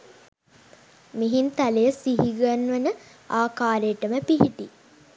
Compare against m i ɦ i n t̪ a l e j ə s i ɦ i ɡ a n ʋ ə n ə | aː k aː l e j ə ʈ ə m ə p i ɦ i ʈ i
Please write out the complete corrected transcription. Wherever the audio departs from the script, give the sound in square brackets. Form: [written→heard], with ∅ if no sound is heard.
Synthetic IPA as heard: m i ɦ i n t̪ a l e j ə s i ɦ i ɡ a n ʋ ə n ə | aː k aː [l→ɾ] e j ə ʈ ə m ə p i ɦ i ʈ i